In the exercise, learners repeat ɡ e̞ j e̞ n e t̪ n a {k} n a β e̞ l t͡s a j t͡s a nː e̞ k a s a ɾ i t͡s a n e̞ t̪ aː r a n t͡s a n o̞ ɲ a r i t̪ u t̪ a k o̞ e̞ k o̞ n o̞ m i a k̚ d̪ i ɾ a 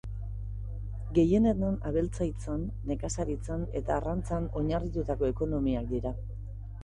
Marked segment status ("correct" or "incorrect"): incorrect